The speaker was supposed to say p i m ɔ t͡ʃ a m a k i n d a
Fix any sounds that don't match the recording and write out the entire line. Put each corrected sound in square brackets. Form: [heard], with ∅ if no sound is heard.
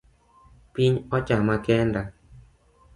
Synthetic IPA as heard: p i [ɲ] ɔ t͡ʃ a m a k [ɛ] n d a

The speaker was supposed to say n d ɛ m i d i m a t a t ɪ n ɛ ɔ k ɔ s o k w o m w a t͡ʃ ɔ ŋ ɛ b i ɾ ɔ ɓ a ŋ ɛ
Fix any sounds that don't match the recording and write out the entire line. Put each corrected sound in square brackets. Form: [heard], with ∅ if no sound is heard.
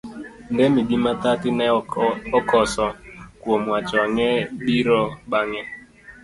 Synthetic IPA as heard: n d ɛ m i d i m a t a t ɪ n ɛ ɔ k ɔ s [ɔ] k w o m w a t͡ʃ ɔ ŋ ɛ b i ɾ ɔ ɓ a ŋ ɛ

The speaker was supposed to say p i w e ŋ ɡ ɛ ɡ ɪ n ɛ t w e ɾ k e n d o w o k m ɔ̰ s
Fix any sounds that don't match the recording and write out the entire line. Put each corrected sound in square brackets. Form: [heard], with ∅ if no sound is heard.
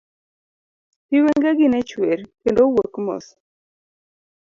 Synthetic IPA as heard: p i w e ŋ ɡ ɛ ɡ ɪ n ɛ [t͡ʃ] w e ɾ k e n d o w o k m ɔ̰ s

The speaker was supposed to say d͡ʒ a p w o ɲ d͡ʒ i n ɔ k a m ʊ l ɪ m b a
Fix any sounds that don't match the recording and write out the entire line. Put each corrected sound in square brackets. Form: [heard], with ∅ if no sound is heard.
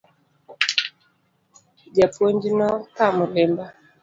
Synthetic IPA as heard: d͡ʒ a p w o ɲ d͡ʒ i n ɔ k a m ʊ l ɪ m b a

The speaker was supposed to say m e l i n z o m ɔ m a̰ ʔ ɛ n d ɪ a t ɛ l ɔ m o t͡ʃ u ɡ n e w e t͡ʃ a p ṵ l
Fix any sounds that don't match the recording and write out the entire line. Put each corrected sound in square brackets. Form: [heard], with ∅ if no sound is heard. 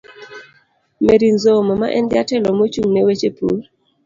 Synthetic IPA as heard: m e [ɾ] i n z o m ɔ m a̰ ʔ ɛ n d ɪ a t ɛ l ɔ m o t͡ʃ u [ŋ] n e w e t͡ʃ [e] p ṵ l

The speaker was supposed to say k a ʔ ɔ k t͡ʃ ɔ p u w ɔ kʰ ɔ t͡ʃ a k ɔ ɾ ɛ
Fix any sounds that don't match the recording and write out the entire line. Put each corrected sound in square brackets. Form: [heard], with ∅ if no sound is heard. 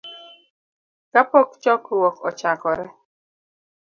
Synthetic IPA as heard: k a [p] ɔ k t͡ʃ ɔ [k] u w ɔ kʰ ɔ t͡ʃ a k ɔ ɾ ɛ

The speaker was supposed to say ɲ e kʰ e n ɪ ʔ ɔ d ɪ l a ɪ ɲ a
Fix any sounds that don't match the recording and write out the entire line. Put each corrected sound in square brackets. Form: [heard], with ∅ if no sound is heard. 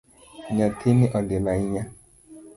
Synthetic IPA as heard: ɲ [a] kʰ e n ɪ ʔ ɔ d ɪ l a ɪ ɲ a

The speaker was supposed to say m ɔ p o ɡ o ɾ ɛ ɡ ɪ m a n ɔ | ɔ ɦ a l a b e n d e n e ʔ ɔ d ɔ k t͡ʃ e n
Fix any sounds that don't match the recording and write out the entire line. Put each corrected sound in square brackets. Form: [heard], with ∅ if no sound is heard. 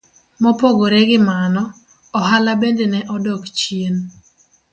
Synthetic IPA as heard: m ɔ p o ɡ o ɾ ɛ ɡ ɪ m a n ɔ | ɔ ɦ a l a b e n d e n [ɛ] ʔ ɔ d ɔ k t͡ʃ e n

